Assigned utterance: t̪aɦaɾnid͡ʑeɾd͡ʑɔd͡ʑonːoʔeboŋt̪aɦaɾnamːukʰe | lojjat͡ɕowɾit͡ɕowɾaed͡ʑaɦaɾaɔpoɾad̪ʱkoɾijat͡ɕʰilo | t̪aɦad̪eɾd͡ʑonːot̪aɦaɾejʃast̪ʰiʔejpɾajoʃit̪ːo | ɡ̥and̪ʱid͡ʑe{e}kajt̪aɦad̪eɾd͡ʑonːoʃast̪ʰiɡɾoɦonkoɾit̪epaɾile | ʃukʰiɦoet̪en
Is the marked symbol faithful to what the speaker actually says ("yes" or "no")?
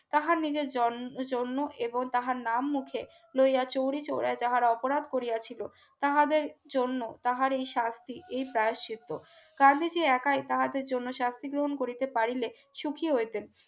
no